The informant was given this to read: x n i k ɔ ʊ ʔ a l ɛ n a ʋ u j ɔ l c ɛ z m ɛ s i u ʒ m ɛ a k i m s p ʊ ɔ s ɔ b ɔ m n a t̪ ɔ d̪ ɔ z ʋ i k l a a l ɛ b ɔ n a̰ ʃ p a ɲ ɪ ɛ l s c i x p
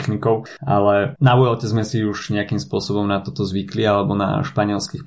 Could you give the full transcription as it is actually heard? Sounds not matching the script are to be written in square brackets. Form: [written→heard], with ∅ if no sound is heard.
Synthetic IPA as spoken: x n i k ɔ ʊ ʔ a l ɛ n a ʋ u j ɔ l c ɛ z m ɛ s i u ʒ [m→ɲ] ɛ a k i m s p ʊ ɔ s ɔ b ɔ m n a t̪ ɔ [d̪→t̪] ɔ z ʋ i k l [a→i] a l ɛ b ɔ n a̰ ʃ p a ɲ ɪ ɛ l s [c→k] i x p